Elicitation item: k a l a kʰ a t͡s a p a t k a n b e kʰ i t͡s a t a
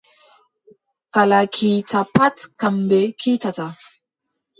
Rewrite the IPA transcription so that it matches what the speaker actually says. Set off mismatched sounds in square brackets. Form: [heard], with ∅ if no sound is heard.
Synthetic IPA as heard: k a l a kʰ [i] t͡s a p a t k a [m] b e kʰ i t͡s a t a

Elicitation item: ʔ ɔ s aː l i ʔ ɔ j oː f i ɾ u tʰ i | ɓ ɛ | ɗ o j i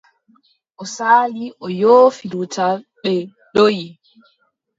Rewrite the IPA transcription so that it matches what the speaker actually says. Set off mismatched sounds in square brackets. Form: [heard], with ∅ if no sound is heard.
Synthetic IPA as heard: ʔ ɔ s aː l i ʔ ɔ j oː f i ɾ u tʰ [a] | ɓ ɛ | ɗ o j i

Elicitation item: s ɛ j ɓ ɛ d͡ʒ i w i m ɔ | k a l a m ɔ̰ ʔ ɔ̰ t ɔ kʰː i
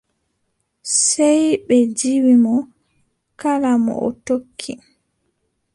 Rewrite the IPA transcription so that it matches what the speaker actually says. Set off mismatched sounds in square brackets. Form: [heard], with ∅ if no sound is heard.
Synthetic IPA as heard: s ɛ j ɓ ɛ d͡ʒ i w i m ɔ | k a l a m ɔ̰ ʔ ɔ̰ t [o] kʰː i

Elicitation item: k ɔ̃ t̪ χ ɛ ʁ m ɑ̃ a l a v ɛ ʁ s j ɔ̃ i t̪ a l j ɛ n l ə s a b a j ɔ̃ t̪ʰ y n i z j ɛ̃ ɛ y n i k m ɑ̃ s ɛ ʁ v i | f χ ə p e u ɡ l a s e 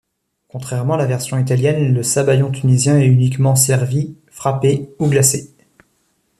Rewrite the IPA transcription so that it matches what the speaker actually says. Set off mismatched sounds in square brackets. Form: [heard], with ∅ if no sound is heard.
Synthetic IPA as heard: k ɔ̃ t̪ χ ɛ ʁ m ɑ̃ a l a v ɛ ʁ s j ɔ̃ i t̪ a l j ɛ n l ə s a b a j ɔ̃ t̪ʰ y n i z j ɛ̃ ɛ y n i k m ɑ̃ s ɛ ʁ v i | f χ [a] p e u ɡ l a s e

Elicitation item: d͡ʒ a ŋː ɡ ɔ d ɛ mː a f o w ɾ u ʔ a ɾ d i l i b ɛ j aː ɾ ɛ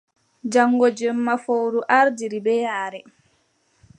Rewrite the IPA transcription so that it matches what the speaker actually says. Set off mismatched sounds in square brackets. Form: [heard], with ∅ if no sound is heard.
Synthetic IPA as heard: d͡ʒ a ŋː ɡ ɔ [d͡ʒ] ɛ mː a f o w ɾ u ʔ a ɾ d i [ɾ] i b ɛ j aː ɾ ɛ

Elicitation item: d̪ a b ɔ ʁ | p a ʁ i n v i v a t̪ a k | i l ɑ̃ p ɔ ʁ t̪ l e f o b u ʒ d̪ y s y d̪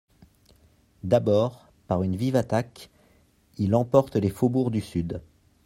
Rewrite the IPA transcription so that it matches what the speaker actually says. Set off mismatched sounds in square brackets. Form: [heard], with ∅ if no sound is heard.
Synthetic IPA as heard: d̪ a b ɔ ʁ | p a ʁ [y] n v i v a t̪ a k | i l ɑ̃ p ɔ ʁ t̪ l e f o b u [ʁ] d̪ y s y d̪

